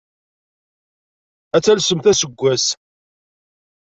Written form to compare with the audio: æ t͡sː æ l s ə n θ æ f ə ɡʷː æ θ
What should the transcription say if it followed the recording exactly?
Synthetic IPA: æ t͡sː æ l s ə m θ æ s ə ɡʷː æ s

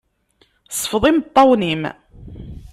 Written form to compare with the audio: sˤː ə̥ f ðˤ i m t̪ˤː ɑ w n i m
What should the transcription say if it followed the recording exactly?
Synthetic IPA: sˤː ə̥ f ðˤ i m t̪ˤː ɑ w n i m

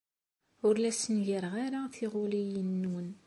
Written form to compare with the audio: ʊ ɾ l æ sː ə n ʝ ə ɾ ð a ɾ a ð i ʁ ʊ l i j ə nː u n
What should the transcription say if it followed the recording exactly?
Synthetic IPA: ʊ ɾ l æ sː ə n ʝ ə ɾ ʁ a ɾ a θ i ʁ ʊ l i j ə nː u n

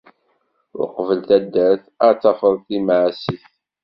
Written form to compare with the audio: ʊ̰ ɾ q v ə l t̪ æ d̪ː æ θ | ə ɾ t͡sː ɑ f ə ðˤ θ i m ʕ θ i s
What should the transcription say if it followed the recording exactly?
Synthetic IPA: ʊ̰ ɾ q v ə l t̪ æ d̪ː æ θ | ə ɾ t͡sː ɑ f ə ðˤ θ i m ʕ s i θ

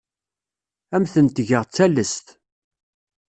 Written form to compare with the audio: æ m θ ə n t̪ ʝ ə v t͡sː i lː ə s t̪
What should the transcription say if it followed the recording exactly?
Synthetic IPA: æ m θ ə n t̪ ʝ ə ʁ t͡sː æ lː ə s t̪

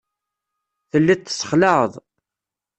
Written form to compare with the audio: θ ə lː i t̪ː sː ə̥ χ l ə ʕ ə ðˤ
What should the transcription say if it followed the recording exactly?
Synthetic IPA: θ ə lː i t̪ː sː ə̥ χ l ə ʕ ə ðˤ

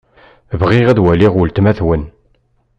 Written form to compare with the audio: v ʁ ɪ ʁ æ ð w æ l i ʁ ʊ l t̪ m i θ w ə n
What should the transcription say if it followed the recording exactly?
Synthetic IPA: v ʁ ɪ ʁ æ ð w æ l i ʁ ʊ l t̪ m æ θ w ə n

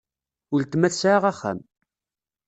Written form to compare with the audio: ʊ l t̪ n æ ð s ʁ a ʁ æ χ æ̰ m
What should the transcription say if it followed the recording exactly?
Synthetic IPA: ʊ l t̪ m æ θ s ʕ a ʁ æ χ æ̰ m

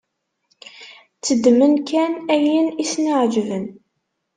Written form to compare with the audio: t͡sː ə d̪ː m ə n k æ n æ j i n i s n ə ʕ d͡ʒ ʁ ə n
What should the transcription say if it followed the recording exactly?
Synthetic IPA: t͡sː ə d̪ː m ə n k æ n æ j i n i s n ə ʕ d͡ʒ v ə n

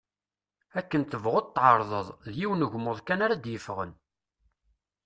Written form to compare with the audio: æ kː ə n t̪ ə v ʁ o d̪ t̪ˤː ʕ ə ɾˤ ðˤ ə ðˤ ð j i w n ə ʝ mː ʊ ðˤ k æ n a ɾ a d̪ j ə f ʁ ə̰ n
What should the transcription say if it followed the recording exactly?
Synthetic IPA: æ kː ə n t̪ ə v ʁ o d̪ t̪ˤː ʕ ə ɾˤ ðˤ ə ðˤ ð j i w n ə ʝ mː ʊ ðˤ k æ n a ɾ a d̪ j ə f ʁ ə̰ n

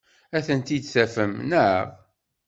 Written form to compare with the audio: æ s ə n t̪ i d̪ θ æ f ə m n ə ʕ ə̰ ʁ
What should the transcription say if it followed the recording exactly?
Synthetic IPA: æ θ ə n t̪ i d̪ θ æ f ə m n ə ʕ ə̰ ʁ

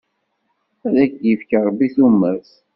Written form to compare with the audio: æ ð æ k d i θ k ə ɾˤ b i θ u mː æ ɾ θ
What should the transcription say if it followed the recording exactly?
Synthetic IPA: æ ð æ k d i f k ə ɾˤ b i θ u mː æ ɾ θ

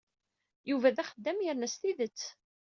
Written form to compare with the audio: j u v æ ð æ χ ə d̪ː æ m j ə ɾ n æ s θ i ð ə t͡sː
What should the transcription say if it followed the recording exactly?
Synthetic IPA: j u v æ ð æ χ ə d̪ː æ m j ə ɾ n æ s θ i ð ə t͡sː

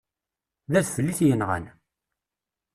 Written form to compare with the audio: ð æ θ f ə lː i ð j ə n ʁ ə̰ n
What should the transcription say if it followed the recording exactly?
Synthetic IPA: ð æ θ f ə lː i θ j ə n ʁ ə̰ n

